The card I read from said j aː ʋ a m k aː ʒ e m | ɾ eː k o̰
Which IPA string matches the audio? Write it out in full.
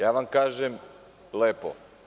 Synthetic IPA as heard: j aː ʋ a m k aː ʒ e m | l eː p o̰